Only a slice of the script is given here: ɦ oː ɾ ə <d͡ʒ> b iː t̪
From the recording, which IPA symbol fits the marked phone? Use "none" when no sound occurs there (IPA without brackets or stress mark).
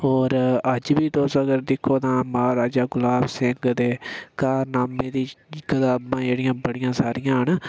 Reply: d͡ʒ